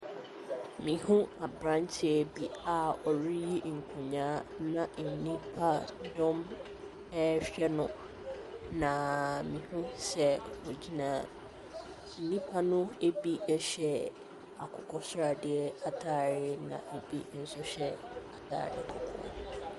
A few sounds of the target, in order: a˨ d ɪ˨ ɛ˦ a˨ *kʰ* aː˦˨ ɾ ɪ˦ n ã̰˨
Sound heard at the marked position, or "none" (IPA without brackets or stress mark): tʰ